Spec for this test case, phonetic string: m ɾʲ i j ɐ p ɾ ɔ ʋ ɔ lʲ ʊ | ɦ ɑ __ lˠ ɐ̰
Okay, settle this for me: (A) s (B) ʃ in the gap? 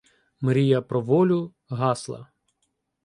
A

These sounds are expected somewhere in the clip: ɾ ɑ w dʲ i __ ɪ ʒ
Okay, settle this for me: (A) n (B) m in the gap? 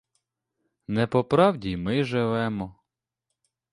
B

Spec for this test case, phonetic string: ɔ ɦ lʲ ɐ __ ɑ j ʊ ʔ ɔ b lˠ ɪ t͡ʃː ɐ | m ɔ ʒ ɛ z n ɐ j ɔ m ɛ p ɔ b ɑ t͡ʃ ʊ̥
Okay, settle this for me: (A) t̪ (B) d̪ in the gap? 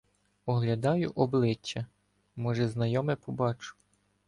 B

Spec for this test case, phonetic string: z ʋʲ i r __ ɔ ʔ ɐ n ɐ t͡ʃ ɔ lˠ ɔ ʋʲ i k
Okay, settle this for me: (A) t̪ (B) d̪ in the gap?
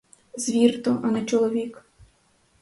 A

